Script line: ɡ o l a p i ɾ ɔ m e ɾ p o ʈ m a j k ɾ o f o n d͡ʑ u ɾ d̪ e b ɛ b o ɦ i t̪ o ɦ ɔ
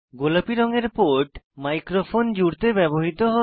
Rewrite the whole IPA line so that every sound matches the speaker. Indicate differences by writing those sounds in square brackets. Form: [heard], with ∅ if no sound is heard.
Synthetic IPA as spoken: ɡ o l a p i ɾ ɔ [ŋ] e ɾ p o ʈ m a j k ɾ o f o n d͡ʑ u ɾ [t̪] e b ɛ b o ɦ i t̪ o ɦ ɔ